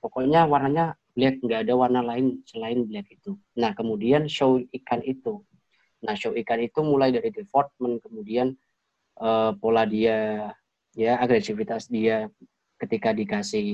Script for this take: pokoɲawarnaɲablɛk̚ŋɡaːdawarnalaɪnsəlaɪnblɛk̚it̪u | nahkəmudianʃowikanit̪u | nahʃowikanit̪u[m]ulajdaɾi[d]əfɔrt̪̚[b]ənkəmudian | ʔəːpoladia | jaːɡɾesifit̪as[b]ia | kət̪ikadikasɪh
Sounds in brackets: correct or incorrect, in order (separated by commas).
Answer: correct, correct, incorrect, incorrect